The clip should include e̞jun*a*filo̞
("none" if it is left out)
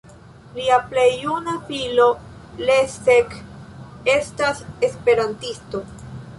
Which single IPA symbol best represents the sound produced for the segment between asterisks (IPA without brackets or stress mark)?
a